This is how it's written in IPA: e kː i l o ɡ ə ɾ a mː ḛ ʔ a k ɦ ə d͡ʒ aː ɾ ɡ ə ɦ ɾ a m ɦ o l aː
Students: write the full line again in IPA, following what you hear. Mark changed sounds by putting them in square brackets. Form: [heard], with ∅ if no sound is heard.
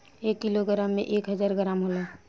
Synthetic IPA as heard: e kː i l o ɡ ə ɾ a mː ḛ ʔ [e] k ɦ ə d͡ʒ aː ɾ ɡ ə [∅] ɾ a m ɦ o l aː